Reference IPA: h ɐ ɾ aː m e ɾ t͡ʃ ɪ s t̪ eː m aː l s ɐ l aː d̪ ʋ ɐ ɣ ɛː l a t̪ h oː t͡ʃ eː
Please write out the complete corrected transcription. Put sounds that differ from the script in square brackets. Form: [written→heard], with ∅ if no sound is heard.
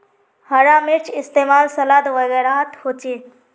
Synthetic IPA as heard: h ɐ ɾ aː m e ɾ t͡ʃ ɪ s t̪ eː m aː l s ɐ l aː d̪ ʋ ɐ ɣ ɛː [l→ɾ] a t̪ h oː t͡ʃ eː

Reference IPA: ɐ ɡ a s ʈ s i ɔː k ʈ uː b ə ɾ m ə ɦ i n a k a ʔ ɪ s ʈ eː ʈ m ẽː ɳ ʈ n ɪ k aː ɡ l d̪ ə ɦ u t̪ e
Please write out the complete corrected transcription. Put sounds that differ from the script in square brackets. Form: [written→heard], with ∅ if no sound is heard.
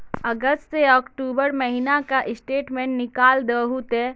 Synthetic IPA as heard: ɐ ɡ [a→ə] s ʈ s [i→e] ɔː k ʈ uː b ə ɾ m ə ɦ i n a k a ʔ ɪ s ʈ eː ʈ m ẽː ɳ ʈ n ɪ k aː [ɡ→∅] l d̪ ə ɦ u t̪ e

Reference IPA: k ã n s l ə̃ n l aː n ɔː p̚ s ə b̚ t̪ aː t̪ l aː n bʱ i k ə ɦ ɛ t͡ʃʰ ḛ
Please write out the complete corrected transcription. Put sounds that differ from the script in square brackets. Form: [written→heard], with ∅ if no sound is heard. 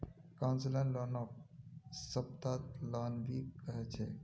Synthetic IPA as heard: k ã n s l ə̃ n l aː n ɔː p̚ s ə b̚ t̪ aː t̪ l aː n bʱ i k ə ɦ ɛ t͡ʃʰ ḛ

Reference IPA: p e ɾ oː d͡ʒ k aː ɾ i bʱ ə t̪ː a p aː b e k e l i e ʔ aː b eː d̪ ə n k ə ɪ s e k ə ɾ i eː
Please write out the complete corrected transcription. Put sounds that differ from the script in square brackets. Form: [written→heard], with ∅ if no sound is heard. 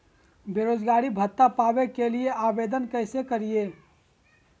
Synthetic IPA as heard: [p→b] e ɾ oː d͡ʒ [k→ɡ] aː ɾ i bʱ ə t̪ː a p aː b e k e l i e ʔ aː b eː d̪ ə n k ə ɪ s e k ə ɾ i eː

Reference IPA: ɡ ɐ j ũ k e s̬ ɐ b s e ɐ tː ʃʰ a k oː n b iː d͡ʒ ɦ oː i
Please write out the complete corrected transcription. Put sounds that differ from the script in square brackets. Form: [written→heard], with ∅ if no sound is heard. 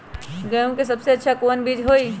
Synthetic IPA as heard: ɡ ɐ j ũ k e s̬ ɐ b s e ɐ tː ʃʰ a k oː n b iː d͡ʒ ɦ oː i

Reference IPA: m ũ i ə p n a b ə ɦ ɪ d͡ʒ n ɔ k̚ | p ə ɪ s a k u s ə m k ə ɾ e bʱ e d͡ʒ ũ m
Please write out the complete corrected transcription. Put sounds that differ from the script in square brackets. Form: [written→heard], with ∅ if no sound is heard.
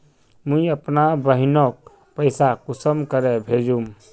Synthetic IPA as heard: m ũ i ə p n a b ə ɦ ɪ [d͡ʒ→∅] n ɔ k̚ | p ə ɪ s a k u s ə m k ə ɾ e bʱ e d͡ʒ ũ m

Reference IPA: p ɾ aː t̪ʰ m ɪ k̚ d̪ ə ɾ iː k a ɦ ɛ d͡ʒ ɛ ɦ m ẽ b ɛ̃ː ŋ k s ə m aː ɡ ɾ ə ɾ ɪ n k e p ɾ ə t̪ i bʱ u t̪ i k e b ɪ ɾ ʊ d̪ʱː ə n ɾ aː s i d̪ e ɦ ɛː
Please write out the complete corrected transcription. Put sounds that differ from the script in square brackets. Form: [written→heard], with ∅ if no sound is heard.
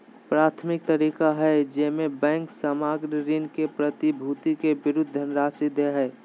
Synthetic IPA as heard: p ɾ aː t̪ʰ m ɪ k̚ [d̪→t̪] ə ɾ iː k a ɦ ɛ d͡ʒ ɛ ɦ m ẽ b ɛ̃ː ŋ k s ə m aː ɡ ɾ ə ɾ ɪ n k e p ɾ ə t̪ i bʱ u t̪ i k e b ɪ ɾ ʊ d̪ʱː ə n ɾ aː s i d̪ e ɦ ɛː

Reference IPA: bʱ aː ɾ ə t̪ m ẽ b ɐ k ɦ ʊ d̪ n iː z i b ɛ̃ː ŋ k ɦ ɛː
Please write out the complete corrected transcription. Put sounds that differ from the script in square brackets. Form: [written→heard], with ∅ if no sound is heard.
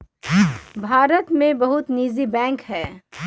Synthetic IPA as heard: bʱ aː ɾ ə t̪ m ẽ b ɐ [k→∅] ɦ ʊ [d̪→t̪] n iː z i b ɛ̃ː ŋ k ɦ ɛː

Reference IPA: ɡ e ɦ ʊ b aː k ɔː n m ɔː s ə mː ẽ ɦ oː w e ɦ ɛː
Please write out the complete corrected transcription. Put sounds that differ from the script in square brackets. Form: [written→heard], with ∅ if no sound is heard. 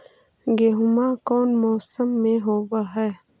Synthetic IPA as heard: ɡ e ɦ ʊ [b→m] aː k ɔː n m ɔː s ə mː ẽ ɦ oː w [e→a] ɦ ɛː

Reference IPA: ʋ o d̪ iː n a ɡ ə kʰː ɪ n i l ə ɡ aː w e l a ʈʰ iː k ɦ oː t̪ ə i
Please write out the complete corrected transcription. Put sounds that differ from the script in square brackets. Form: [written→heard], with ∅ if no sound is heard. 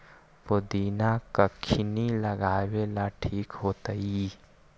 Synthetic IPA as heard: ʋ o d̪ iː n a [ɡ→k] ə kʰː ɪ n i l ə ɡ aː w e l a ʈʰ iː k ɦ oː t̪ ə i

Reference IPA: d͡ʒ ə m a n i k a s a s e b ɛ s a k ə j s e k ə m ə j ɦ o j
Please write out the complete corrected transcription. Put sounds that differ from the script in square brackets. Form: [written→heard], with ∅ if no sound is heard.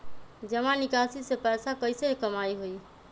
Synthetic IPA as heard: d͡ʒ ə m a n i k a s [a→i] s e [b→p] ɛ s a k ə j s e k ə m [ə→a] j ɦ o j

